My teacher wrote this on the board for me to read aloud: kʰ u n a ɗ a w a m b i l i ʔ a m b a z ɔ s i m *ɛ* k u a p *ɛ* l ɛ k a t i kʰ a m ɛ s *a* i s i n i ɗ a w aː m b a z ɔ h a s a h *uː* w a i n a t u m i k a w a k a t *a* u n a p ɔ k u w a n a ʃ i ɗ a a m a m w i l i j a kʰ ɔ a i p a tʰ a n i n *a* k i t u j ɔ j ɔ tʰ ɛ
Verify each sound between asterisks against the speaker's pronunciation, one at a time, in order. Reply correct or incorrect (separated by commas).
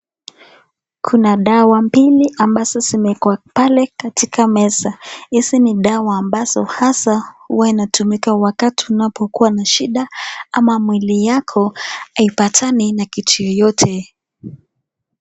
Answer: correct, incorrect, correct, incorrect, incorrect, correct